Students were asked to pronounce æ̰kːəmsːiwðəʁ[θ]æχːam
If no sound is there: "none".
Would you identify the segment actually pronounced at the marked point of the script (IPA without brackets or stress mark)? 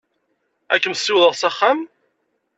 s